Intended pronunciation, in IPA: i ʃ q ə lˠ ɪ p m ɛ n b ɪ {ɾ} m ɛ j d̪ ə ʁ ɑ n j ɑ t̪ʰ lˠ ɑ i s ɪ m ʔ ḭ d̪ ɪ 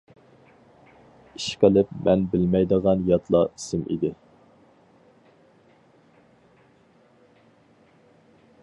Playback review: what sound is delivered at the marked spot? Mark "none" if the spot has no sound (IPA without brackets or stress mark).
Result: l